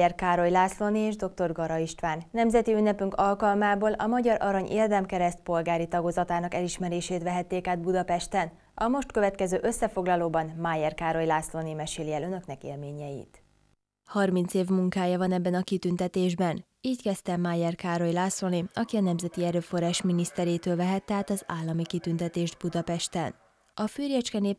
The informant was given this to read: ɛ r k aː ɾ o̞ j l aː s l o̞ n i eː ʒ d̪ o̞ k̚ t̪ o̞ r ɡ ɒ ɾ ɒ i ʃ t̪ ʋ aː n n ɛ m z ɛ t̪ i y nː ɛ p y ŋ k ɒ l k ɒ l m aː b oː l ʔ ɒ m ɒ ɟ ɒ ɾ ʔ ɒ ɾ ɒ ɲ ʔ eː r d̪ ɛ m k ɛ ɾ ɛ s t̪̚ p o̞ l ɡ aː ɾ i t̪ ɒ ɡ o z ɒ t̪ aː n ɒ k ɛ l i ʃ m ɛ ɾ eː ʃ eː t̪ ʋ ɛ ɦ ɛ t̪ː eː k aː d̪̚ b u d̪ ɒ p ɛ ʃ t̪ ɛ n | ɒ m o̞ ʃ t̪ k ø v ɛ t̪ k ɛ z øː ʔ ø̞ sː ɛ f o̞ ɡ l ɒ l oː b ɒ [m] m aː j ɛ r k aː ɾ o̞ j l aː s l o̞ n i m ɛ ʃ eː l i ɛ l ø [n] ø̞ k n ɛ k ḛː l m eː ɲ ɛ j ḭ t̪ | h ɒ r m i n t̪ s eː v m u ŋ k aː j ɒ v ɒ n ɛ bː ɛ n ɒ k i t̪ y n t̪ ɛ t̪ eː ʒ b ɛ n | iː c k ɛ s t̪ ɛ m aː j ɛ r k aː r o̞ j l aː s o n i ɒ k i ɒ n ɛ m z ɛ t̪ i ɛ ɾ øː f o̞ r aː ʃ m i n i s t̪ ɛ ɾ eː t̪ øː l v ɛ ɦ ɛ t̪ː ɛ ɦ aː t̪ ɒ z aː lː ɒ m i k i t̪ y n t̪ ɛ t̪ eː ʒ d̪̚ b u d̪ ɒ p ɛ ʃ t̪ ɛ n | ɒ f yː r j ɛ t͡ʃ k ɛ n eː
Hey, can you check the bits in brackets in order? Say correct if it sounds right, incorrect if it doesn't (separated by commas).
incorrect, correct